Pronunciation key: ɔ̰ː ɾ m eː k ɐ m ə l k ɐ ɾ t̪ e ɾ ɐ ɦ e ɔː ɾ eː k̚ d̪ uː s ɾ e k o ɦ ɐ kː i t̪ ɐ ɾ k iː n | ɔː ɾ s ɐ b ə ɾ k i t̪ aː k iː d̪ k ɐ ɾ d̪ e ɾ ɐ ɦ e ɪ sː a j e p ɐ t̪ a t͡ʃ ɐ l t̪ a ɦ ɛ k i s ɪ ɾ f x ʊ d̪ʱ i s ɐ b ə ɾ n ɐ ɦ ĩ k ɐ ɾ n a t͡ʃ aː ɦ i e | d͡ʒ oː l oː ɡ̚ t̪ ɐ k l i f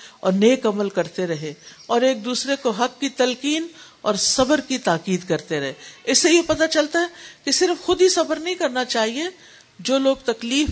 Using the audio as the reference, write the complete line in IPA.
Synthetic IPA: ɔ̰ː ɾ n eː k ɐ m ə l k ɐ ɾ t̪ e ɾ ɐ ɦ e ɔː ɾ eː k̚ d̪ uː s ɾ e k o ɦ ɐ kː i t̪ ɐ l k iː n | ɔː ɾ s ɐ b ə ɾ k i t̪ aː k iː d̪ k ɐ ɾ t̪ e ɾ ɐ ɦ e ɪ sː e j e p ɐ t̪ a t͡ʃ ɐ l t̪ a ɦ ɛ k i s ɪ ɾ f x ʊ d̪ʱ i s ɐ b ə ɾ n ɐ ɦ ĩ k ɐ ɾ n a t͡ʃ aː ɦ i e | d͡ʒ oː l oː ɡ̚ t̪ ɐ k l iː f